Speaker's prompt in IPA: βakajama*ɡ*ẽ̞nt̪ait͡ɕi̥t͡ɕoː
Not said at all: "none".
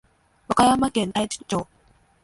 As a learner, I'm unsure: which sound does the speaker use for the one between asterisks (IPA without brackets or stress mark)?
k